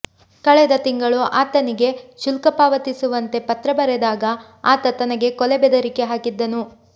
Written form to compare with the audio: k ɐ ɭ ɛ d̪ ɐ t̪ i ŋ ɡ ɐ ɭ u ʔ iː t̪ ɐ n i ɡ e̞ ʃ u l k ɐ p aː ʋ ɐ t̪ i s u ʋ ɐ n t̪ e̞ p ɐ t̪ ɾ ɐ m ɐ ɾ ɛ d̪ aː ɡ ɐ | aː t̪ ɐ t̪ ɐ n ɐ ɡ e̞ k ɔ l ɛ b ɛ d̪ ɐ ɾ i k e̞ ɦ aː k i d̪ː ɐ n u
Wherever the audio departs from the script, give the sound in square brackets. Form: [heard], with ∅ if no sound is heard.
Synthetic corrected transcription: k ɐ ɭ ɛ d̪ ɐ t̪ i ŋ ɡ ɐ ɭ u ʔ [aː] t̪ ɐ n i ɡ e̞ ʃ u l k ɐ p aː ʋ ɐ t̪ i s u ʋ ɐ n t̪ e̞ p ɐ t̪ ɾ ɐ [b] ɐ ɾ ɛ d̪ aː ɡ ɐ | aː t̪ ɐ t̪ ɐ n ɐ ɡ e̞ k ɔ l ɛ b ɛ d̪ ɐ ɾ i k e̞ ɦ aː k i d̪ː ɐ n u

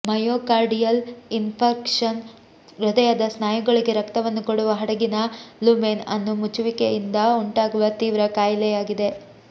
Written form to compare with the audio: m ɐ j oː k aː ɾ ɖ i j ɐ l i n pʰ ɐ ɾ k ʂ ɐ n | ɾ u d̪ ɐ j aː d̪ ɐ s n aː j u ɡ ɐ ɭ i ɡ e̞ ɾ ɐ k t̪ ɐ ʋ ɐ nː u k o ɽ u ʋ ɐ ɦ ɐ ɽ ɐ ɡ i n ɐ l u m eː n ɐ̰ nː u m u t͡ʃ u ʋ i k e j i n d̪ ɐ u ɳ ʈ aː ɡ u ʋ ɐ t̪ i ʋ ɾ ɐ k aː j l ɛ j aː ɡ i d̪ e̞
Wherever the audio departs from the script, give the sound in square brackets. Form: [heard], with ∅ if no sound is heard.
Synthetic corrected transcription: m ɐ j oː k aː ɾ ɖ i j ɐ l i n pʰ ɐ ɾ k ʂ ɐ n | ɾ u d̪ ɐ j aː d̪ ɐ s n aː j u ɡ ɐ ɭ i ɡ e̞ ɾ ɐ k t̪ ɐ ʋ ɐ nː u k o ɽ u ʋ ɐ ɦ ɐ ɽ ɐ ɡ i n ɐ l u m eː n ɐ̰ nː u m u t͡ʃ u ʋ i k e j i n d̪ ɐ u ɳ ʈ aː ɡ u ʋ ɐ t̪ [iː] ʋ ɾ ɐ k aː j l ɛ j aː ɡ i d̪ e̞

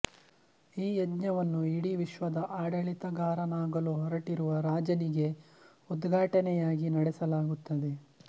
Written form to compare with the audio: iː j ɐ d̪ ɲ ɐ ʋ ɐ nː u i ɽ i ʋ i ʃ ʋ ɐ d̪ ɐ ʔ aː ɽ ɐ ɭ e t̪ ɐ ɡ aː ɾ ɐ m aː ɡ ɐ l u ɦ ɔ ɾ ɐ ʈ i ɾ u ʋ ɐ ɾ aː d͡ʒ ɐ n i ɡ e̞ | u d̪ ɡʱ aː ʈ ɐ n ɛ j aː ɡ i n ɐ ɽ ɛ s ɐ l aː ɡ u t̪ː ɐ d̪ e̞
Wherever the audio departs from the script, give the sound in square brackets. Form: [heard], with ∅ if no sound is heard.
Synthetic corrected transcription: iː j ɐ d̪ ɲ ɐ ʋ ɐ nː u i ɽ i ʋ i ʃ ʋ ɐ d̪ ɐ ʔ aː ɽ ɐ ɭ [i] t̪ ɐ ɡ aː ɾ ɐ [n] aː ɡ ɐ l u ɦ ɔ ɾ ɐ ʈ i ɾ u ʋ ɐ ɾ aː d͡ʒ ɐ n i ɡ e̞ | u d̪ ɡʱ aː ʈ ɐ n ɛ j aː ɡ i n ɐ ɽ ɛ s ɐ l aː ɡ u t̪ː ɐ d̪ e̞

